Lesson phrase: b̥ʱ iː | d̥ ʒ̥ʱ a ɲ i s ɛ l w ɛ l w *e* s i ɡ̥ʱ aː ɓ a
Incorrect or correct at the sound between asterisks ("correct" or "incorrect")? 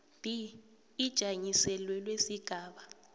correct